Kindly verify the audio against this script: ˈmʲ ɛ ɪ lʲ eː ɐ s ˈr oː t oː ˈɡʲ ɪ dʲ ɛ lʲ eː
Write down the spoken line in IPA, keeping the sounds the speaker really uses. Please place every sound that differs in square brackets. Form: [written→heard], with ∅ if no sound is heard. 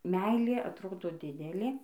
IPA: ˈmʲ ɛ ɪ lʲ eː ɐ [s→t] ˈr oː [t→d] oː [ˈɡʲ→ˈdʲ] ɪ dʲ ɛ lʲ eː